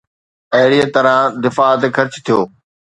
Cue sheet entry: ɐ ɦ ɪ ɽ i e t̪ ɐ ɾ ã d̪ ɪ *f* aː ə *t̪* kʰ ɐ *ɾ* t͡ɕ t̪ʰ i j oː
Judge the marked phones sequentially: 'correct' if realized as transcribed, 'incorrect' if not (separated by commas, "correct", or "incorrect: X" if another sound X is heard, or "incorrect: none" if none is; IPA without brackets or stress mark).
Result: correct, correct, correct